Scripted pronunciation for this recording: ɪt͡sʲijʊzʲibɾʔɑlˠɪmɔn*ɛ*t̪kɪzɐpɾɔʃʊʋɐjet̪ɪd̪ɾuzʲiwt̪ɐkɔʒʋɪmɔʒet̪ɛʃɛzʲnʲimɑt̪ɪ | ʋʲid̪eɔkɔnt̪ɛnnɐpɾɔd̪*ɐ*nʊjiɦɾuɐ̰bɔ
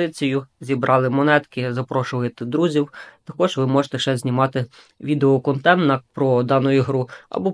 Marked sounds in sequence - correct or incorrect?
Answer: correct, incorrect

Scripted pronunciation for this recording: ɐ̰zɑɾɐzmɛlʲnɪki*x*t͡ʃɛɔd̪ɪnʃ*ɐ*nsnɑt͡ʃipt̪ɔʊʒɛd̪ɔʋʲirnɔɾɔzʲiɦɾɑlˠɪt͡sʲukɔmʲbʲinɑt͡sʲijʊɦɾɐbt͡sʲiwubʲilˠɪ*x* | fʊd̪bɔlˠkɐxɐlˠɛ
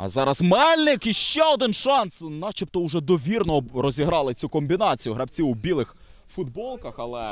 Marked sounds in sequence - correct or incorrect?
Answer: incorrect, incorrect, correct

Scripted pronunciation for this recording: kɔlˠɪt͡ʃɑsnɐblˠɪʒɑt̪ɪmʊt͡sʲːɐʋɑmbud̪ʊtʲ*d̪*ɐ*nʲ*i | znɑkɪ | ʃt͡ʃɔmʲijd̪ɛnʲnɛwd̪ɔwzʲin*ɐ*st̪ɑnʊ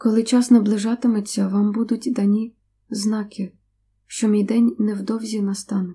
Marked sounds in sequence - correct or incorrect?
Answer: correct, correct, correct

